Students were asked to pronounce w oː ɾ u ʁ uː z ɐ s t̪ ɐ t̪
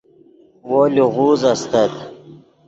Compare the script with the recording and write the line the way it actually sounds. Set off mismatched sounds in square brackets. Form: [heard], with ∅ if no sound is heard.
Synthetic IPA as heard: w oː [l] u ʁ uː z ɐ s t̪ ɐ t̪

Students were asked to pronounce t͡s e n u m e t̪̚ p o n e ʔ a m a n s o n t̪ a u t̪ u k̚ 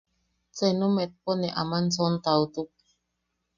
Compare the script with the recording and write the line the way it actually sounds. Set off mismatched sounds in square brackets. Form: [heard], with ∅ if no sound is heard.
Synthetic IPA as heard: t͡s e n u m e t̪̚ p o n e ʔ a m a n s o n t̪ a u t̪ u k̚

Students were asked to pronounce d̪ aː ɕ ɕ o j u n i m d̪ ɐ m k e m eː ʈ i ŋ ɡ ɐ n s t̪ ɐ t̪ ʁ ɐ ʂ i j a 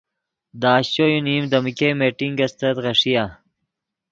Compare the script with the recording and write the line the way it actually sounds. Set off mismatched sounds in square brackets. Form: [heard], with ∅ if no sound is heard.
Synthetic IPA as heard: d̪ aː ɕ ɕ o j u n i m d̪ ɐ m k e m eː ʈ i ŋ ɡ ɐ [∅] s t̪ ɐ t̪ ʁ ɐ ʂ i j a

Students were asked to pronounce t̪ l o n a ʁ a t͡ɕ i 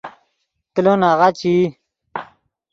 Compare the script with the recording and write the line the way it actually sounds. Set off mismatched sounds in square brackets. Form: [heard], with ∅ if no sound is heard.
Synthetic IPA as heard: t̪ l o n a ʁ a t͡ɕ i

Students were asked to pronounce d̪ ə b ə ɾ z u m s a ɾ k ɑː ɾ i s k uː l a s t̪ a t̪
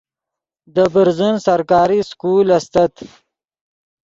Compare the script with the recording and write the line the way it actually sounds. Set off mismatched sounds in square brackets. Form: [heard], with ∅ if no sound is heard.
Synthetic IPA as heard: d̪ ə b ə ɾ z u [n] s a ɾ k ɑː ɾ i s k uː l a s t̪ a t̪

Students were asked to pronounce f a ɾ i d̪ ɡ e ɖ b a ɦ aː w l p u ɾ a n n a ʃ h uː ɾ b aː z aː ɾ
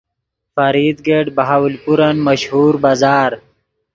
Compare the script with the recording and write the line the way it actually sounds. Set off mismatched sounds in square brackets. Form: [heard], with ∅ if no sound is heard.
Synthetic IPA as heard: f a ɾ i d̪ ɡ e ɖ b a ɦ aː w l p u ɾ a n [m] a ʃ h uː ɾ b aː z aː ɾ

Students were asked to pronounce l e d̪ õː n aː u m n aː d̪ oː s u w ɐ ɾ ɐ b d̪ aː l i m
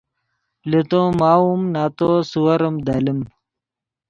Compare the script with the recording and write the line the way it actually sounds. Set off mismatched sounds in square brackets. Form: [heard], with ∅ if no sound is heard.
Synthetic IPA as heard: l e [t̪] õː [m] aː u m n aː [t̪] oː s u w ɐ ɾ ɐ [m] d̪ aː l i m

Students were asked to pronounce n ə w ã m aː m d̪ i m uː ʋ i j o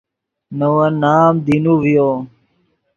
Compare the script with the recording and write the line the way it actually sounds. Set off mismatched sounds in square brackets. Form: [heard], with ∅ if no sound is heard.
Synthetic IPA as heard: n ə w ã [n] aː m d̪ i [n] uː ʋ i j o

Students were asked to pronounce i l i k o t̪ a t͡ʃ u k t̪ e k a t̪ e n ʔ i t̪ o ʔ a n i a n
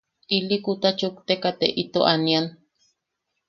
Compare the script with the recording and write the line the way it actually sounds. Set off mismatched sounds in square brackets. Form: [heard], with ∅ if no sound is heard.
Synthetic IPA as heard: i l i k [u] t̪ a t͡ʃ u k t̪ e k a t̪ e [∅] ʔ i t̪ o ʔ a n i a n

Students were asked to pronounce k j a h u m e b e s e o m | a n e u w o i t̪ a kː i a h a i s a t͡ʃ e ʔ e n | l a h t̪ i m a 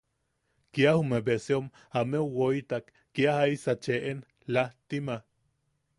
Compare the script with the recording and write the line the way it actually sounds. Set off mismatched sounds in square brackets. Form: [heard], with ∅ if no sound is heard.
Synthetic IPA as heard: k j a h u m e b e s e o m | a [m] e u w o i t̪ a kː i a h a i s a t͡ʃ e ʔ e n | l a h t̪ i m a

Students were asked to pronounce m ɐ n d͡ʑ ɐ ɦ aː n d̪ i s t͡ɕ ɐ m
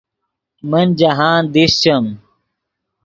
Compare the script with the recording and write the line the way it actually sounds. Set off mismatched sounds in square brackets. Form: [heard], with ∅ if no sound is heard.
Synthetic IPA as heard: m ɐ n d͡ʑ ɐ ɦ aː n d̪ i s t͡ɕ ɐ m

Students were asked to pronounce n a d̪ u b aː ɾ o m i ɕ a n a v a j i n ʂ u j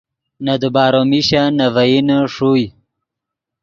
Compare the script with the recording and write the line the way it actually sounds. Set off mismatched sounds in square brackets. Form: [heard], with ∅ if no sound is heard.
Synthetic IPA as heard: n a d̪ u b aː ɾ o m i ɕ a n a v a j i n ʂ u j

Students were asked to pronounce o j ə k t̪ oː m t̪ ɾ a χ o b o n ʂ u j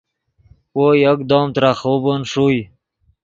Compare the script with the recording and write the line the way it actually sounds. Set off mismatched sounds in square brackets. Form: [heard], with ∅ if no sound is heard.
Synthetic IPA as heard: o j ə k [d̪] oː m t̪ ɾ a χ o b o n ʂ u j

